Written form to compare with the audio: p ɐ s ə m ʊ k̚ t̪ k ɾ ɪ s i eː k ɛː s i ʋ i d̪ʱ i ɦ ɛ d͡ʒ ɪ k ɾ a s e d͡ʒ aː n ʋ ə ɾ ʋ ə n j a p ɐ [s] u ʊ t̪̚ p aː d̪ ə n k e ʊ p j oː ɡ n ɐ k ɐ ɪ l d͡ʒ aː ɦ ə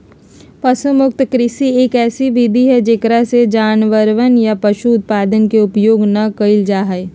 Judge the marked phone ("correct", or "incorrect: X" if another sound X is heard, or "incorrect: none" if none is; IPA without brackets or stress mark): incorrect: ʃ